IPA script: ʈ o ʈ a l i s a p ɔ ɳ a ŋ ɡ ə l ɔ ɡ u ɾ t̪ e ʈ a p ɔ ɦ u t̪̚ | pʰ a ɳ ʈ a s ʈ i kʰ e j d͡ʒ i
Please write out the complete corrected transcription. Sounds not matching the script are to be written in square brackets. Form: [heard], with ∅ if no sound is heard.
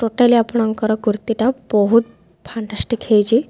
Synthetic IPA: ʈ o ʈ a l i [∅] a p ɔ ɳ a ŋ [k] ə [ɾ] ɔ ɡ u ɾ t̪ [i] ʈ a [b] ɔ ɦ u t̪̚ | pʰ a ɳ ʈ a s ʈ i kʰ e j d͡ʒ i

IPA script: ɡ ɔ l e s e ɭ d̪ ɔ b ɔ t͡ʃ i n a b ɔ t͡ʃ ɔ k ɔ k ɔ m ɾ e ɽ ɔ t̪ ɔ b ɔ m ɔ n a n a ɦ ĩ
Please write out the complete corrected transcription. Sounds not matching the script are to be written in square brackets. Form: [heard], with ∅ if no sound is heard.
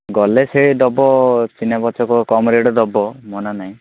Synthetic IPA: ɡ ɔ l e s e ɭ d̪ ɔ b ɔ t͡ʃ i n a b ɔ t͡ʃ ɔ k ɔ k ɔ m ɾ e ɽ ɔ [d̪] ɔ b ɔ m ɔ n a n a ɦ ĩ

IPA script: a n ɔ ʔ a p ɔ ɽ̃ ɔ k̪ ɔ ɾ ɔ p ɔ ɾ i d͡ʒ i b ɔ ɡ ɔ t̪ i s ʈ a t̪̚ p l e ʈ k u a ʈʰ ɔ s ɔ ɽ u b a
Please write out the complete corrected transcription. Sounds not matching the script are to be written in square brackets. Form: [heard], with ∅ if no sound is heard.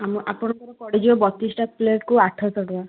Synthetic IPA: a [m] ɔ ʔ a p ɔ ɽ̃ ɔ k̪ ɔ ɾ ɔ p ɔ [ɽ] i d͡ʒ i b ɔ [b] ɔ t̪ i s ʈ a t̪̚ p l e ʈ k u a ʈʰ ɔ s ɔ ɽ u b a

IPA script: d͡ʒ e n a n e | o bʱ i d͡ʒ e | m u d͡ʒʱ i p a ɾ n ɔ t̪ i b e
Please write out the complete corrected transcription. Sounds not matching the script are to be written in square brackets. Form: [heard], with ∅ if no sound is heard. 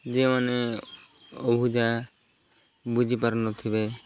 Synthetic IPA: d͡ʒ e [m] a n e | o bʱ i d͡ʒ [a] | [b] u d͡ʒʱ i p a ɾ n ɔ [t̪ʰ] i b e

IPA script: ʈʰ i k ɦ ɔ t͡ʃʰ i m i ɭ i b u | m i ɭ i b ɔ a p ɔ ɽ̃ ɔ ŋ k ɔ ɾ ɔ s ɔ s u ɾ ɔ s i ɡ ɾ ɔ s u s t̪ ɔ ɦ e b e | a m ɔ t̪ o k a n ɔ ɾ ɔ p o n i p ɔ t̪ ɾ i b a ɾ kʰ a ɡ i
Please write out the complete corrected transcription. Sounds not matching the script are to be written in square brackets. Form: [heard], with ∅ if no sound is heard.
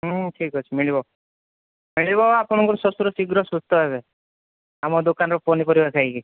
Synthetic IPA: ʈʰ i k ɦ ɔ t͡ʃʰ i m i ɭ i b [ɔ] | m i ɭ i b ɔ a p ɔ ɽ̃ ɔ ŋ k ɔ ɾ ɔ s ɔ s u ɾ ɔ s i ɡ ɾ ɔ s u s t̪ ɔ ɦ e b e | a m ɔ [d̪] o k a n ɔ ɾ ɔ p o n i p ɔ [∅] ɾ i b a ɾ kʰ a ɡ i

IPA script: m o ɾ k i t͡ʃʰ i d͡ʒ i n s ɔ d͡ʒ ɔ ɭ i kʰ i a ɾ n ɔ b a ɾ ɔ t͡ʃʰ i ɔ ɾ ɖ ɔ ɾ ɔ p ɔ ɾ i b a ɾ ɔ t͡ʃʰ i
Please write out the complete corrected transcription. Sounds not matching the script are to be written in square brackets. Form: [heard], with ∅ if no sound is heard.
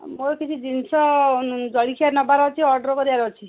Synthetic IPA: m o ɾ k i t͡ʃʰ i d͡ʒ i n s ɔ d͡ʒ ɔ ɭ i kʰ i a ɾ n ɔ b a ɾ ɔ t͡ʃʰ i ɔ ɾ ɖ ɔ ɾ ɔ [k] ɔ ɾ i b a ɾ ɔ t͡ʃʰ i

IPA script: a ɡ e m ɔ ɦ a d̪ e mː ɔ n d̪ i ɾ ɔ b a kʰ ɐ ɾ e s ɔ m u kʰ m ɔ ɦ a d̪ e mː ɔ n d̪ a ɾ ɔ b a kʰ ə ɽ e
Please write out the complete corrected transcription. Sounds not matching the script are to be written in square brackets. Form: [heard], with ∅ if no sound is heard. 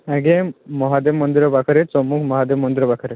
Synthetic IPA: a ɡ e m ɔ ɦ a d̪ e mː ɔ n d̪ i ɾ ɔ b a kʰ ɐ ɾ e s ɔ m u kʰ m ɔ ɦ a d̪ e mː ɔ n d̪ [i] ɾ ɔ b a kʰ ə [ɾ] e

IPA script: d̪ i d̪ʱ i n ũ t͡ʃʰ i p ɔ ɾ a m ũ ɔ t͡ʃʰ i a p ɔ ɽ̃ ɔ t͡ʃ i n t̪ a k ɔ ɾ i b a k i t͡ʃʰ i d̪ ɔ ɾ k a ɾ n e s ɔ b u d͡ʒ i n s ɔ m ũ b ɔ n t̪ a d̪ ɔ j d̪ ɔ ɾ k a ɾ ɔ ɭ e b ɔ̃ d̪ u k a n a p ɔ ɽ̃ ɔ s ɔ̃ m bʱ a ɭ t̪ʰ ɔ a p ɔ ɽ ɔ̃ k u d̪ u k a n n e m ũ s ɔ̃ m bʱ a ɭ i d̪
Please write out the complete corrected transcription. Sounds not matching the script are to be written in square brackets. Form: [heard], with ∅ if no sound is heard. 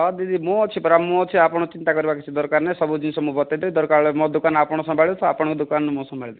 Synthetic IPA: d̪ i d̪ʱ i [m] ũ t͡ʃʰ i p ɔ ɾ a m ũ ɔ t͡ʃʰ i a p ɔ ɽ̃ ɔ t͡ʃ i n t̪ a k ɔ ɾ i b a k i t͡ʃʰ i d̪ ɔ ɾ k a ɾ n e s ɔ b u d͡ʒ i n s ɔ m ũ b ɔ [∅] t̪ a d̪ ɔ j d̪ ɔ ɾ k a ɾ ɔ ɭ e [m] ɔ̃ d̪ u k a n a p ɔ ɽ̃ ɔ s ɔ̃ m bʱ a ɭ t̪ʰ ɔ a p ɔ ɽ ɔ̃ k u d̪ u k a n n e m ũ s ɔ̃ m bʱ a ɭ i d̪

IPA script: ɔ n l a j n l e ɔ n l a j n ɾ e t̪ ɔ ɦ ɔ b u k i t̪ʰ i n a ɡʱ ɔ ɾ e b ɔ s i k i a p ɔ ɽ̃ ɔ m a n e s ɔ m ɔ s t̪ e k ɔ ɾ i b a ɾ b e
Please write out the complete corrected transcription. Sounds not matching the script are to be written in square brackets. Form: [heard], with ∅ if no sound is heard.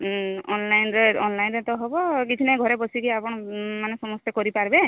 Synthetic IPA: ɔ n l a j n [ɾ] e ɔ n l a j n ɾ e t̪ ɔ ɦ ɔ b [ɔ] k i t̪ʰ i n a ɡʱ ɔ ɾ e b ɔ s i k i a p ɔ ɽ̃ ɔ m a n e s ɔ m ɔ s t̪ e k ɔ ɾ i [p] a ɾ b e

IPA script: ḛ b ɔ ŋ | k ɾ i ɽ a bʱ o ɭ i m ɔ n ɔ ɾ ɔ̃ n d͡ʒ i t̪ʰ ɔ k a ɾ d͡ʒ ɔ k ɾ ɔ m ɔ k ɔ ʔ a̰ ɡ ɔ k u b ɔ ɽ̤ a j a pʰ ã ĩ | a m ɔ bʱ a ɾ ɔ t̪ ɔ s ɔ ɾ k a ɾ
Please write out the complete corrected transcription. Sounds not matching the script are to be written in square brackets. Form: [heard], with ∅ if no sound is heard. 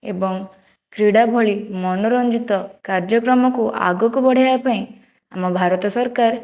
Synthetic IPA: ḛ b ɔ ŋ | k ɾ i ɽ a bʱ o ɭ i m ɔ n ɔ ɾ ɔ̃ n d͡ʒ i [t̪] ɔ k a ɾ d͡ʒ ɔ k ɾ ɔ m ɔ k [u] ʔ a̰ ɡ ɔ k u b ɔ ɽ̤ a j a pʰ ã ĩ | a m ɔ bʱ a ɾ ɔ t̪ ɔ s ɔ ɾ k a ɾ

